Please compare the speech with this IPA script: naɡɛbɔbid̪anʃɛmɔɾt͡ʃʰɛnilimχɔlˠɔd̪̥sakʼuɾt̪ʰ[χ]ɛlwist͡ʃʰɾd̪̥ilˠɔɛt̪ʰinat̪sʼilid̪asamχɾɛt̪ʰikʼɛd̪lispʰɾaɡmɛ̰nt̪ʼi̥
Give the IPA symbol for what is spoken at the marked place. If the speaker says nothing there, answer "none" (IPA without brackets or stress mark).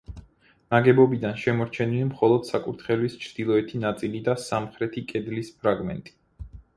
χ